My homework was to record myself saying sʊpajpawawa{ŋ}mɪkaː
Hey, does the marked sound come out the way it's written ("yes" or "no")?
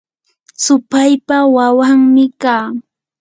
yes